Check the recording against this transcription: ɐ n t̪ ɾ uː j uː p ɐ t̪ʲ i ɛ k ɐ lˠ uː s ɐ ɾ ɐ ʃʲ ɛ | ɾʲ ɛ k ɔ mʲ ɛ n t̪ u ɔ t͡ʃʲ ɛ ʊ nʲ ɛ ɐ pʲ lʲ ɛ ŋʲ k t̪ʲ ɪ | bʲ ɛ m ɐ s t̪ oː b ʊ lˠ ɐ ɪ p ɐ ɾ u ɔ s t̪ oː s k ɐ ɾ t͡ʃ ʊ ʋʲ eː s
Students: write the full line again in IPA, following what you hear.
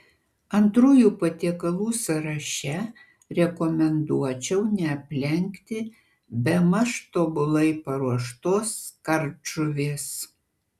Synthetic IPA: ɐ n t̪ ɾ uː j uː p ɐ t̪ʲ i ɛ k ɐ lˠ uː s ɐ ɾ ɐ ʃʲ ɛ | ɾʲ ɛ k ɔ mʲ ɛ n d̪ u ɔ t͡ʃʲ ɛ ʊ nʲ ɛ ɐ pʲ lʲ ɛ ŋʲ k t̪ʲ ɪ | bʲ ɛ m ɐ ʃ t̪ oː b ʊ lˠ ɐ ɪ p ɐ ɾ u ɔ ʃ t̪ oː s k ɐ ɾ t͡ʃ ʊ ʋʲ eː s

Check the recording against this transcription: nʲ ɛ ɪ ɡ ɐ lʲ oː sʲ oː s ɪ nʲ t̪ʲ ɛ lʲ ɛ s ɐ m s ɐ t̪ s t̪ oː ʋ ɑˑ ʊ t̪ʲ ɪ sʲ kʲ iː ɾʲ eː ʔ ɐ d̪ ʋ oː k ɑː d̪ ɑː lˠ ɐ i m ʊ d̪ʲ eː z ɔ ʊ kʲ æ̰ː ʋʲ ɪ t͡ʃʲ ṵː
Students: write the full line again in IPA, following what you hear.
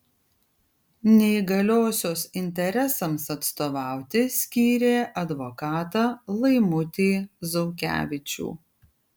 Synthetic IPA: nʲ ɛ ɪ ɡ ɐ lʲ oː sʲ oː s ɪ nʲ t̪ʲ ɛ ɾʲ ɛ s ɐ m s ɐ t̪ s t̪ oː ʋ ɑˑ ʊ t̪ʲ ɪ sʲ kʲ iː ɾʲ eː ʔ ɐ d̪ ʋ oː k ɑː t̪ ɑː lˠ ɐ ɪ m ʊ t̪ʲ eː z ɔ ʊ kʲ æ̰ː ʋʲ ɪ t͡ʃʲ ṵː

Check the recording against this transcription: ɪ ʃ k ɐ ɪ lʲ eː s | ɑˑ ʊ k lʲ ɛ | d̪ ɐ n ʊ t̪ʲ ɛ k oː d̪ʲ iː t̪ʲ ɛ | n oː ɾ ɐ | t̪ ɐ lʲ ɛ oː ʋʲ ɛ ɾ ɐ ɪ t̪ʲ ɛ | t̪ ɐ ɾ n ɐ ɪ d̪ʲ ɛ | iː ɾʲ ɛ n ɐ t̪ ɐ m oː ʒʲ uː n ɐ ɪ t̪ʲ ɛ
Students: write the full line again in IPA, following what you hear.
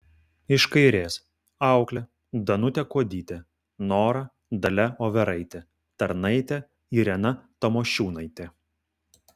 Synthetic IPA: ɪ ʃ k ɐ ɪ ɾʲ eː s | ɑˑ ʊ k lʲ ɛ | d̪ ɐ n ʊ t̪ʲ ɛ k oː d̪ʲ iː t̪ʲ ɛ | n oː ɾ ɐ | d̪ ɐ lʲ ɛ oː ʋʲ ɛ ɾ ɐ ɪ t̪ʲ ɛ | t̪ ɐ ɾ n ɐ ɪ t̪ʲ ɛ | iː ɾʲ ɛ n ɐ t̪ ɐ m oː ʃʲ uː n ɐ ɪ t̪ʲ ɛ

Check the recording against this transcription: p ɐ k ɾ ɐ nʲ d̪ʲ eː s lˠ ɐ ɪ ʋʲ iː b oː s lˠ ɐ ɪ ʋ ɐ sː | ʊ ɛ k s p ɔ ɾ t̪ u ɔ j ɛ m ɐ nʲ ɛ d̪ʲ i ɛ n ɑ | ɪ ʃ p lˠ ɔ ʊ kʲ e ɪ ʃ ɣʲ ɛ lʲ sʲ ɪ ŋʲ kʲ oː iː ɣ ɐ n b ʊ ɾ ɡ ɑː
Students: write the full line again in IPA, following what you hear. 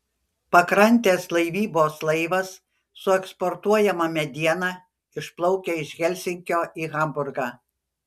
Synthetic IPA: p ɐ k ɾ ɐ nʲ t̪ʲ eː s lˠ ɐ ɪ ʋʲ iː b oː s lˠ ɐ ɪ ʋ ɐ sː | ʊ ɛ k s p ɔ ɾ t̪ u ɔ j ɛ m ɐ mʲ ɛ d̪ʲ i ɛ n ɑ | ɪ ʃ p lˠ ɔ ʊ kʲ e ɪ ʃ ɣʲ ɛ lʲ sʲ ɪ ŋʲ kʲ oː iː ɣ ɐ m b ʊ ɾ ɡ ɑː

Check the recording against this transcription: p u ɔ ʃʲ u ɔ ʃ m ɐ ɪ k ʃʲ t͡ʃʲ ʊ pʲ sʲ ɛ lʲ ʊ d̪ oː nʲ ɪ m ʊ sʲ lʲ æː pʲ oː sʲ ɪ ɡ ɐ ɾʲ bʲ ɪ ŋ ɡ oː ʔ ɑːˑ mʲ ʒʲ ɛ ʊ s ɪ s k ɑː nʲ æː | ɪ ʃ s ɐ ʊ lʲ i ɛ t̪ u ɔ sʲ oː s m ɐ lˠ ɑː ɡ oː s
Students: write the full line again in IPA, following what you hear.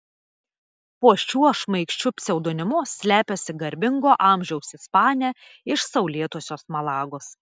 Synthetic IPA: p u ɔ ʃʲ u ɔ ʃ m ɐ ɪ k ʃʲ t͡ʃʲ ʊ pʲ sʲ ɛ ʊ d̪ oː nʲ ɪ m ʊ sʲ lʲ æː pʲ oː sʲ ɪ ɡ ɐ ɾʲ bʲ ɪ ŋ ɡ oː ʔ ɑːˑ mʲ ʒʲ ɛ ʊ s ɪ s p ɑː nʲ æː | ɪ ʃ s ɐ ʊ lʲ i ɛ t̪ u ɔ sʲ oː s m ɐ lˠ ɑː ɡ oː s

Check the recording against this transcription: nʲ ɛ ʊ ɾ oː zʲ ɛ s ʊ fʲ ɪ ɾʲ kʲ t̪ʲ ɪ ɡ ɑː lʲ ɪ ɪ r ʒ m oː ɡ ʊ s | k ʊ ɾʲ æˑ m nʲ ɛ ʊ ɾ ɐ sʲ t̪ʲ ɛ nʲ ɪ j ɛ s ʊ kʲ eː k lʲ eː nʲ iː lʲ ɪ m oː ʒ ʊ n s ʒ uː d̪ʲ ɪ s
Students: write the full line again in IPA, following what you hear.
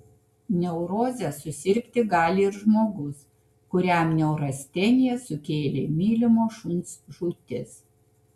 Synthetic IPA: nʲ ɛ ʊ ɾ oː zʲ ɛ s ʊ sʲ ɪ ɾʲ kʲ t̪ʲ ɪ ɡ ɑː lʲ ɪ ɪ ɾ ʒ m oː ɡ ʊ s | k ʊ ɾʲ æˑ m nʲ ɛ ʊ ɾ ɐ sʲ t̪ʲ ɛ nʲ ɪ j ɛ s ʊ kʲ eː lʲ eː mʲ iː lʲ ɪ m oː ʃ ʊ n s ʒ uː t̪ʲ ɪ s

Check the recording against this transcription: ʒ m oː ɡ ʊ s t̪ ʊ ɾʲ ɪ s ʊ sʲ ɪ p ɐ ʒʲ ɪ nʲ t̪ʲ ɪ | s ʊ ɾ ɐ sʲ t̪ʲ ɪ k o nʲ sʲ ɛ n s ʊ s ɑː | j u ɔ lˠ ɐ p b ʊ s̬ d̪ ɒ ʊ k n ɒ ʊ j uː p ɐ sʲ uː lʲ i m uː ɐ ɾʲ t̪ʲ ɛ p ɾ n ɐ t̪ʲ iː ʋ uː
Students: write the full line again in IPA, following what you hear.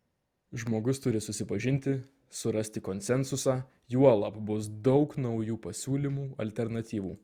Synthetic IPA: ʒ m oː ɡ ʊ s t̪ ʊ ɾʲ ɪ s ʊ sʲ ɪ p ɐ ʒʲ ɪ nʲ t̪ʲ ɪ | s ʊ ɾ ɐ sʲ t̪ʲ ɪ k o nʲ sʲ ɛ n s ʊ s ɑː | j u ɔ lˠ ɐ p b ʊ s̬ d̪ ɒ ʊ k n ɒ ʊ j uː p ɐ sʲ uː lʲ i m uː ɐ lʲ t̪ʲ ɛ ɾ n ɐ t̪ʲ iː ʋ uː

